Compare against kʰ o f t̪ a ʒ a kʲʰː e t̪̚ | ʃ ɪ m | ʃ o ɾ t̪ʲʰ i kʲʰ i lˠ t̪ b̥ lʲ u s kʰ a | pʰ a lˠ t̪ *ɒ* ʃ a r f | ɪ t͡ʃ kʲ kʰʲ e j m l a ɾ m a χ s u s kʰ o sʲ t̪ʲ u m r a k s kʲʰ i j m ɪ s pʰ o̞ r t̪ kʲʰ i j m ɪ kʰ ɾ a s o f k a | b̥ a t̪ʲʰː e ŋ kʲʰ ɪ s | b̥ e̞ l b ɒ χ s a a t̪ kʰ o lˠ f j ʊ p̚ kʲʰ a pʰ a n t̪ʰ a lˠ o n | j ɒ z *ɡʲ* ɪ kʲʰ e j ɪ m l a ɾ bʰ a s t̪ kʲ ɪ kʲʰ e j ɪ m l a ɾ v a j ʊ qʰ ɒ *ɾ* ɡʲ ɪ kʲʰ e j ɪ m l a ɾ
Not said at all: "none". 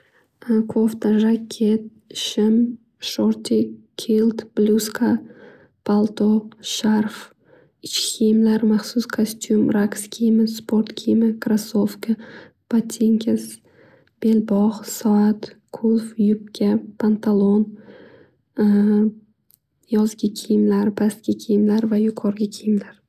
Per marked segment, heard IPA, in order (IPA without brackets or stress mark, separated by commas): o, ɡʲ, ɾ